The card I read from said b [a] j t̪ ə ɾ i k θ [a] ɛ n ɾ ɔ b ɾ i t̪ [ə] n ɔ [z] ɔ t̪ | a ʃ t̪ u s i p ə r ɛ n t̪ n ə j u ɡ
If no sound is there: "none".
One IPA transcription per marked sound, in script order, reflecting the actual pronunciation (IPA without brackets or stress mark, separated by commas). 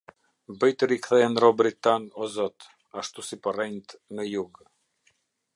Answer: ə, ɛ, a, z